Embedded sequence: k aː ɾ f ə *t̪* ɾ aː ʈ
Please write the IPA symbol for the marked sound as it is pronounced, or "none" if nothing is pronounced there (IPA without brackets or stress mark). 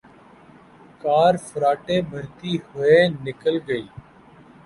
none